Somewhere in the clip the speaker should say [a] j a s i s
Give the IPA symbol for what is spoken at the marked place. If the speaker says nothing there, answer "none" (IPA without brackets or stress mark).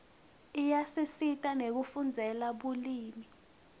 i